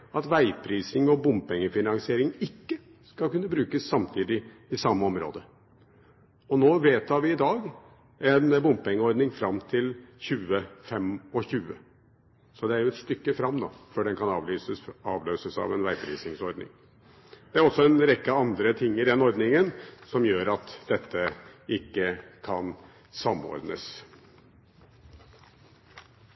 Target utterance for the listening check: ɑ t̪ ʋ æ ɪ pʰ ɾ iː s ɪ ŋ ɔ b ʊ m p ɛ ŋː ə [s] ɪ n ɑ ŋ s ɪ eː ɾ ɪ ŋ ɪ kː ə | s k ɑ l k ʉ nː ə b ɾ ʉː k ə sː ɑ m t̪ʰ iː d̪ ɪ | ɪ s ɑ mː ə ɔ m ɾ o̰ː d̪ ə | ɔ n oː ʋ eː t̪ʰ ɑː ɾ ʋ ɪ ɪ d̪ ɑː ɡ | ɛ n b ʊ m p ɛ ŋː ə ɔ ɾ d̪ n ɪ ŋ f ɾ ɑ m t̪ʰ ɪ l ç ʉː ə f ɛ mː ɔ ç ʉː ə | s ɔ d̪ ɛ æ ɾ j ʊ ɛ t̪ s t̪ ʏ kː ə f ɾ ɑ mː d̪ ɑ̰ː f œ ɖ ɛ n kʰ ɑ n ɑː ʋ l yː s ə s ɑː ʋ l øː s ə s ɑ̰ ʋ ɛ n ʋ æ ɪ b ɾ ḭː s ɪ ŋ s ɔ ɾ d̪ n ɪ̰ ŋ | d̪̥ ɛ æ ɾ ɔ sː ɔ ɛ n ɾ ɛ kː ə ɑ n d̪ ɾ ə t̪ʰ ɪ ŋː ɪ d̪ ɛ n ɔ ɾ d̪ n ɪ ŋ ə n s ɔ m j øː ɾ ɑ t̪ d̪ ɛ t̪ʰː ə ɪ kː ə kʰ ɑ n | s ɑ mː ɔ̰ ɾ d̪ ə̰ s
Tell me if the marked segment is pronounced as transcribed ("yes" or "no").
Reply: no